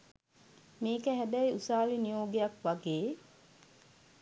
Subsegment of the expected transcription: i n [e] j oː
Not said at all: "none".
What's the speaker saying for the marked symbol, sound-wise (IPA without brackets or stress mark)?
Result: i